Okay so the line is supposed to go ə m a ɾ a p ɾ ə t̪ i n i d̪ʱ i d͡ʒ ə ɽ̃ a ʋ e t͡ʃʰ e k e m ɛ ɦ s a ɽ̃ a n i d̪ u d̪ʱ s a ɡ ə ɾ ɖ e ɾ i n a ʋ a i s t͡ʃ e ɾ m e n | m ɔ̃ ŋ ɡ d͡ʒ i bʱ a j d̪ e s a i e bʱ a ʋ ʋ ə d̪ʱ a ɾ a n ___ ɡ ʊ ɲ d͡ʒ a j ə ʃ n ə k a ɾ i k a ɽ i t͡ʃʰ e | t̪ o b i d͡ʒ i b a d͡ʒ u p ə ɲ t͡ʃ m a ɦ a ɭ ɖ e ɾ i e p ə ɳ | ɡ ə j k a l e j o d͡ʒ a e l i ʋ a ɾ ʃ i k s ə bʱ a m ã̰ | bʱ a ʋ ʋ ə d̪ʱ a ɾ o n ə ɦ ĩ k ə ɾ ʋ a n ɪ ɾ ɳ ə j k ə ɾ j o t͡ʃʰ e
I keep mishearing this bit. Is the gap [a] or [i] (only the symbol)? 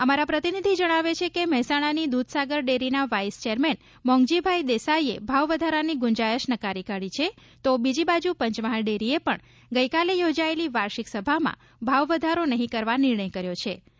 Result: i